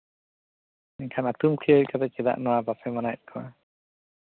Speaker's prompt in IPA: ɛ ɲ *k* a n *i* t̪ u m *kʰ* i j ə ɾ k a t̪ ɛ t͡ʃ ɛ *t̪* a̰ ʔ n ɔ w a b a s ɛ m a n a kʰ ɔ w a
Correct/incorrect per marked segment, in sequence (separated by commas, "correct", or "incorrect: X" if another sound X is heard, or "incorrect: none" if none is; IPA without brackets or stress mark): incorrect: kʰ, incorrect: a, correct, incorrect: d̪